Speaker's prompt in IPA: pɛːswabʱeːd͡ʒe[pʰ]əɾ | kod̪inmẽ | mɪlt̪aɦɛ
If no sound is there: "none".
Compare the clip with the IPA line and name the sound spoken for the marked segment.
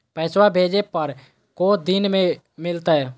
p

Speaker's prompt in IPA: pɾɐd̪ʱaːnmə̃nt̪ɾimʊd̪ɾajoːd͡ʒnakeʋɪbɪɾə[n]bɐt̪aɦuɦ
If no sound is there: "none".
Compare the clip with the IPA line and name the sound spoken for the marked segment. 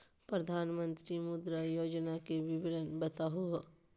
n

